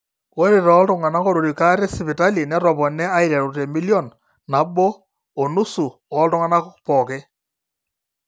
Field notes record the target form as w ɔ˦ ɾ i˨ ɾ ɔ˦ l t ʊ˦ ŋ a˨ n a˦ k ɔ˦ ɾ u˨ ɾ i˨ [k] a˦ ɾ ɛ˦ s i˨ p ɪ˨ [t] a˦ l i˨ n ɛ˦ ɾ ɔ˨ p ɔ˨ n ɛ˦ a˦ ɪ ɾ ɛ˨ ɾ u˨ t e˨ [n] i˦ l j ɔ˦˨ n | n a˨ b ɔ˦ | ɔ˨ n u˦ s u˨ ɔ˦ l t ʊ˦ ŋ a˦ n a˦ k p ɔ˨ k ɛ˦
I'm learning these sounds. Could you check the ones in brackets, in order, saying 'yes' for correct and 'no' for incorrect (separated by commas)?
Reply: yes, yes, no